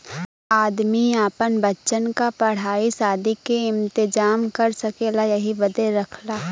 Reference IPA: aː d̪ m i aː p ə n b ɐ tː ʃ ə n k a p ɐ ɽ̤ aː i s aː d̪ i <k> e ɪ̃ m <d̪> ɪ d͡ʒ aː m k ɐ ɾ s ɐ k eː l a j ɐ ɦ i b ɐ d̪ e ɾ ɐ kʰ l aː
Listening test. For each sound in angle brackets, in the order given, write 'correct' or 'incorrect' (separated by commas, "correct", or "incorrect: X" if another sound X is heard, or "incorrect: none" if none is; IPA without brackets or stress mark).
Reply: correct, incorrect: t̪